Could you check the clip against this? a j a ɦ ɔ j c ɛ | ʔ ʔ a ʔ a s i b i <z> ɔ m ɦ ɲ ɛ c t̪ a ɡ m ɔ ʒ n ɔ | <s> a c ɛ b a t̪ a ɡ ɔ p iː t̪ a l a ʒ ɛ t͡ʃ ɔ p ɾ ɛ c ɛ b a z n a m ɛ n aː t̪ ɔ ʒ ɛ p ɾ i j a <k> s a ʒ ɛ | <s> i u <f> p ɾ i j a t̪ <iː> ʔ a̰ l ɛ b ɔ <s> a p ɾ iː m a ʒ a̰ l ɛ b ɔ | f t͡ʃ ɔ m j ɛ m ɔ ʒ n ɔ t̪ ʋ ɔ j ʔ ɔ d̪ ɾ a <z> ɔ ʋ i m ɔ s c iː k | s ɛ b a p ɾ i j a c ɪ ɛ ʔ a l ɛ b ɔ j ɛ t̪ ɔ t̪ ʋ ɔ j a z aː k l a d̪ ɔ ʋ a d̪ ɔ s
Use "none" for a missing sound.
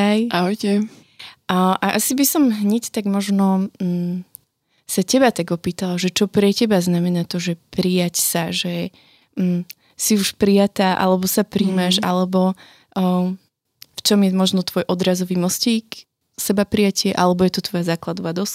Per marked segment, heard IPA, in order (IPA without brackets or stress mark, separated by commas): s, s, c, s, ʃ, aː, s, z